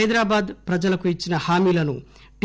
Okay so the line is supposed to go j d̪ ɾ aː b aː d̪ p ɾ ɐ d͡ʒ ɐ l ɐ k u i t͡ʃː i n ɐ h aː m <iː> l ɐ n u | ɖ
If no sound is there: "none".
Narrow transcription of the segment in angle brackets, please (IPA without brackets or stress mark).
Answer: iː